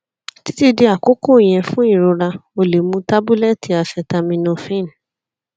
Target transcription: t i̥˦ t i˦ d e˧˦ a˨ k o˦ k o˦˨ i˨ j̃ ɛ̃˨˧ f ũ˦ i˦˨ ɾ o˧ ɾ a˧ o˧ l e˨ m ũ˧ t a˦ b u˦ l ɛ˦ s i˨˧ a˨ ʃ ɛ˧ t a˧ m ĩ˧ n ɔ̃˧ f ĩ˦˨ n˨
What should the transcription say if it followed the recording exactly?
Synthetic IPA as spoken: t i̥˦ t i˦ d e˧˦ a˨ k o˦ k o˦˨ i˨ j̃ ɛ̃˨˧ f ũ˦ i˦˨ ɾ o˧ ɾ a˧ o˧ l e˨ m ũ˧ t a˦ b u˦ l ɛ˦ t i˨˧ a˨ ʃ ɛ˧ t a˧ m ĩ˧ n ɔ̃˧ f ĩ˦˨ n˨